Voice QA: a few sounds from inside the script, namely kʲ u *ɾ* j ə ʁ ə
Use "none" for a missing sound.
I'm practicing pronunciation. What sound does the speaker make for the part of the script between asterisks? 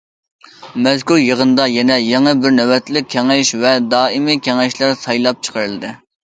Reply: ɾ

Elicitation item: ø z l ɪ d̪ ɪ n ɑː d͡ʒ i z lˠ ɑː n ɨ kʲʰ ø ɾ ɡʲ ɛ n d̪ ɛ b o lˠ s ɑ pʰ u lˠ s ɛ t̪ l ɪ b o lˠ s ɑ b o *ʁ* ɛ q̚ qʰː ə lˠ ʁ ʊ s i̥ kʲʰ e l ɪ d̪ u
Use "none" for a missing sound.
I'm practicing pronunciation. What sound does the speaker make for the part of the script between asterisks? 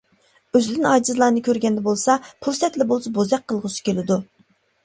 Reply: z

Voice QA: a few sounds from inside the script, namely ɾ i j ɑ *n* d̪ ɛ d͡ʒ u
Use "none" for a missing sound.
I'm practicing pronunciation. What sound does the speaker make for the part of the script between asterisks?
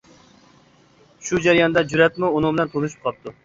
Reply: n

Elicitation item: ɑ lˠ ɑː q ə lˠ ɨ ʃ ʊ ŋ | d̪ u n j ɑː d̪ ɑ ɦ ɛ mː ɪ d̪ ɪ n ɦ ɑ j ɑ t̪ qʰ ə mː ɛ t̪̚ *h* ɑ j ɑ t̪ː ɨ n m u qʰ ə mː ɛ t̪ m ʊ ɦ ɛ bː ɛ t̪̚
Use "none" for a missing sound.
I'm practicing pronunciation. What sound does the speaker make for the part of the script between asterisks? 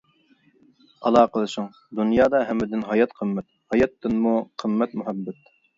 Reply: h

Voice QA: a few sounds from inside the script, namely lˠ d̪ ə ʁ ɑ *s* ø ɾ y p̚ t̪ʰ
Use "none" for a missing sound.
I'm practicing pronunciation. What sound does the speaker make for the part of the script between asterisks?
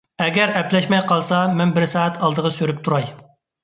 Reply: s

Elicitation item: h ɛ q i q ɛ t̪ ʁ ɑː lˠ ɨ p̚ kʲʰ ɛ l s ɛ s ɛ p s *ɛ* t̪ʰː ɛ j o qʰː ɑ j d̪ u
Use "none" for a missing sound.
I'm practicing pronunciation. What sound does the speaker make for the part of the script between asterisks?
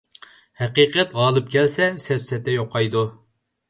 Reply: ɛ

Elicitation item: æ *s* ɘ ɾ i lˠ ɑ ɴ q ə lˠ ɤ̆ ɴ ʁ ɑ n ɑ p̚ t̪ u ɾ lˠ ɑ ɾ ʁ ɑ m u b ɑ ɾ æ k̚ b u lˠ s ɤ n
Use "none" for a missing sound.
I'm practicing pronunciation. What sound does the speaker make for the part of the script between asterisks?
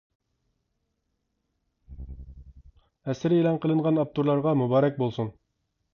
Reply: s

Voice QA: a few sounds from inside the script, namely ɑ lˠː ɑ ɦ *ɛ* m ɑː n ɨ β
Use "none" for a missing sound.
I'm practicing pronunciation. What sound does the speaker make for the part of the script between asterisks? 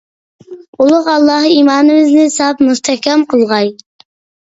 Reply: i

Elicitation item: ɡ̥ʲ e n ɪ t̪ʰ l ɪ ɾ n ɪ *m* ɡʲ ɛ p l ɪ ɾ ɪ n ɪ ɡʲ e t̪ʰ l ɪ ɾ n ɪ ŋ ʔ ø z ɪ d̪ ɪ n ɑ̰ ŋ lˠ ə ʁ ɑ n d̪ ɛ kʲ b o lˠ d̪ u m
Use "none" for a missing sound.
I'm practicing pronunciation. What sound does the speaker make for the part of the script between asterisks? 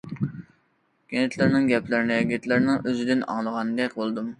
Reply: ŋ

